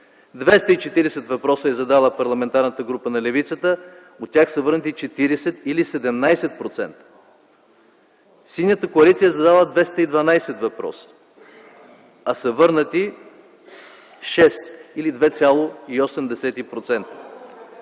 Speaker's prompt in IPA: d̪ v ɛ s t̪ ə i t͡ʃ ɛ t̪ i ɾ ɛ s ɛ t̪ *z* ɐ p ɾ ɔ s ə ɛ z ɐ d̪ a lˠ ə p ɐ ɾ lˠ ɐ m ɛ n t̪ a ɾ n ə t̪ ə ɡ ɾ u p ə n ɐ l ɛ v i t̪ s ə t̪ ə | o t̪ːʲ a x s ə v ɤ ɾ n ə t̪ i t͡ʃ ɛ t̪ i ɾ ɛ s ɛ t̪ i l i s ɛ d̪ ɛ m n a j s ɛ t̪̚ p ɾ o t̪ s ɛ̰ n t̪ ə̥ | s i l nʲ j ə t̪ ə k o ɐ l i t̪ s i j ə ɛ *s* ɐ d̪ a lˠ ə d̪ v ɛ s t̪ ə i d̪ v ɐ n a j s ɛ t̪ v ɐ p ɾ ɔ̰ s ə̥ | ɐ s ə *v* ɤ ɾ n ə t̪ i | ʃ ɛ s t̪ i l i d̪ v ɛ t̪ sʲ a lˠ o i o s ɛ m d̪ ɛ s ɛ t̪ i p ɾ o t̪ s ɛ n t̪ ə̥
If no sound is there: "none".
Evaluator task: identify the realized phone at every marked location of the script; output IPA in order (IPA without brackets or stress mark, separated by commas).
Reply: v, z, v